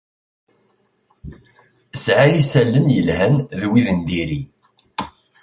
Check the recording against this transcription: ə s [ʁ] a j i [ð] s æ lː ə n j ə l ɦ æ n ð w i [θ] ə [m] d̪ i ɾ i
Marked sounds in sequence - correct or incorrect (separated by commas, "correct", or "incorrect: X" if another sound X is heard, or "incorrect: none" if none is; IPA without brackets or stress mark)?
incorrect: ʕ, incorrect: none, incorrect: ð, incorrect: n